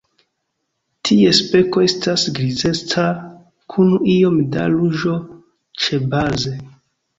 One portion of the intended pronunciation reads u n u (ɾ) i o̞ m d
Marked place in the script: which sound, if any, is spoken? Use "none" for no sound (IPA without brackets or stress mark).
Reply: none